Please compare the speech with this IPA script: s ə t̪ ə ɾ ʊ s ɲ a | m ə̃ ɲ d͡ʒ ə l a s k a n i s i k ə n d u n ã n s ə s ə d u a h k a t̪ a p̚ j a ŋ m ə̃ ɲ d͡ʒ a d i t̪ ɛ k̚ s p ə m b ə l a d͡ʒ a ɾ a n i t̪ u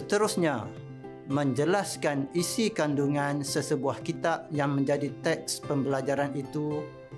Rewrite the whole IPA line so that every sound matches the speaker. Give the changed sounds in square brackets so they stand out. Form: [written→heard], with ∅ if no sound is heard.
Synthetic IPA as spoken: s ə t̪ ə ɾ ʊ s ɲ a | m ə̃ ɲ d͡ʒ ə l a s k a n i s i k [ə→a] n d u [n→ŋ] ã n s ə s ə [d→b] u a h k [a→i] t̪ a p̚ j a ŋ m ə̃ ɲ d͡ʒ a d i t̪ ɛ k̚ s p ə m b ə l a d͡ʒ a ɾ a n i t̪ u